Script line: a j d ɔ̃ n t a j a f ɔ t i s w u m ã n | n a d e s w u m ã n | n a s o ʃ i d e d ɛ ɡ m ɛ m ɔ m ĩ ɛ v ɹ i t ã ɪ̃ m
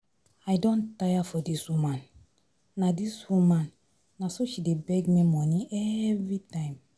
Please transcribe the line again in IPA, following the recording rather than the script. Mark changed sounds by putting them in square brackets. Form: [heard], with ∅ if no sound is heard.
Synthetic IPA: a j d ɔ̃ n t a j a f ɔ [d] i s w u m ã n | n a d [i] s w u m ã n | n a s o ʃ i d e [b] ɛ ɡ m [i] m ɔ [n] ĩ ɛ v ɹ i t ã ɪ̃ m